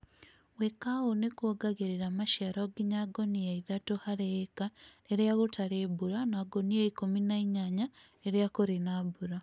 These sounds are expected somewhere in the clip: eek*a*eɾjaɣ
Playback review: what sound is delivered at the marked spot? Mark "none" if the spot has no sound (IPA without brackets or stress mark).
a